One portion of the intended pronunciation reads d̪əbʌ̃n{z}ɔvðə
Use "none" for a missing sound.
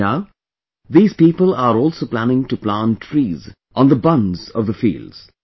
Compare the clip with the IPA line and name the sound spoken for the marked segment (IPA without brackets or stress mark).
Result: z